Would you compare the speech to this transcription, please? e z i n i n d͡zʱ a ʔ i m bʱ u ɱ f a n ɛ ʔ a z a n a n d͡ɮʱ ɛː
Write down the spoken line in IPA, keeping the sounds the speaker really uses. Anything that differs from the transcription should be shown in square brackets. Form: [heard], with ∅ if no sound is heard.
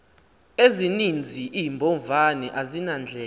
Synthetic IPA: e z i n i n d͡zʱ [i] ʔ i m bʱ [ɔ] ɱ [v] a n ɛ ʔ a z [i] n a n d͡ɮʱ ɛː